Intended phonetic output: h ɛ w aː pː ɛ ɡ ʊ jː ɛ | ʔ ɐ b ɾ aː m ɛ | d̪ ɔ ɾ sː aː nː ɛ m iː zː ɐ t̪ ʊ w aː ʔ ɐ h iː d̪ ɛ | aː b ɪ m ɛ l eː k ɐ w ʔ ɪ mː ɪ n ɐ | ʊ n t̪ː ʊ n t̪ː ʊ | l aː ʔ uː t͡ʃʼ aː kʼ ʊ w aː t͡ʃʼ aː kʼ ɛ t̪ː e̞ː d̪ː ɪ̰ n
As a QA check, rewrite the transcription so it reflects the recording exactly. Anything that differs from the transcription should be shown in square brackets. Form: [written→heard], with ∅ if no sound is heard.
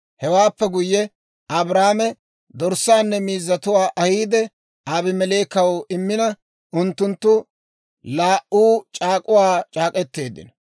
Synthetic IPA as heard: h ɛ w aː pː ɛ ɡ ʊ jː ɛ | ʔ ɐ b ɾ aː m ɛ | d̪ ɔ ɾ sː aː nː ɛ m iː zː ɐ t̪ ʊ w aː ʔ ɐ h iː d̪ ɛ | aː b ɪ m ɛ l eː k ɐ w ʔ ɪ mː ɪ n ɐ | ʊ n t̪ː ʊ n t̪ː ʊ | l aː ʔ uː t͡ʃʼ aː kʼ ʊ w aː t͡ʃʼ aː kʼ ɛ t̪ː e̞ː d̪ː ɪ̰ n